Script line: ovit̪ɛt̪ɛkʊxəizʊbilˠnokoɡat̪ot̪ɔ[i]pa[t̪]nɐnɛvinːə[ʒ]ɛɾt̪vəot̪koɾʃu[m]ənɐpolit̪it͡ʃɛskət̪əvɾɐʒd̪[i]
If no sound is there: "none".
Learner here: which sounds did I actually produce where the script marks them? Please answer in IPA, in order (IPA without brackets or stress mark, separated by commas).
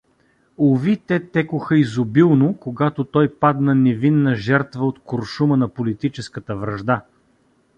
j, d̪, ʒ, m, a